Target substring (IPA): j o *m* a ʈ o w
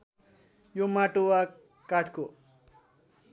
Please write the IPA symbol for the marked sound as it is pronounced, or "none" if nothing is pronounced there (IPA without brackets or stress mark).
m